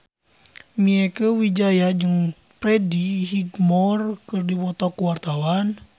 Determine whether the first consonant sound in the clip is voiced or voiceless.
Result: voiced